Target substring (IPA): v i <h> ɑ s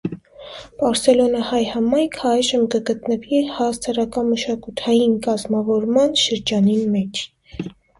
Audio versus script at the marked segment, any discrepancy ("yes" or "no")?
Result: no